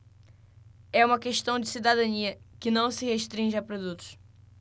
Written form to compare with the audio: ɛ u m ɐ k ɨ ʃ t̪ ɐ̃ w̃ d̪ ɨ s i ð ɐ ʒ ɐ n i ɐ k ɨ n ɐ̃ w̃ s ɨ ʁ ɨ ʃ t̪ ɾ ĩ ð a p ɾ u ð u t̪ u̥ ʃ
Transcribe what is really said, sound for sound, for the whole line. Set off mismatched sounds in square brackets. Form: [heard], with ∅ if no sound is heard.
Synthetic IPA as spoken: ɛ u m ɐ k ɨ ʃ t̪ ɐ̃ w̃ d̪ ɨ s i ð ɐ [ð] ɐ n i ɐ k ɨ n ɐ̃ w̃ s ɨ ʁ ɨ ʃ t̪ ɾ ĩ [ʒ] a p ɾ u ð u t̪ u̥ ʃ